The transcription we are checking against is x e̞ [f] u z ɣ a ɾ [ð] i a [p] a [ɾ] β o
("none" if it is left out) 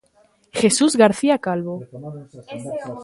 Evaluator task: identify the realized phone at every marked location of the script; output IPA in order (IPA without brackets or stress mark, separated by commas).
s, θ, k, l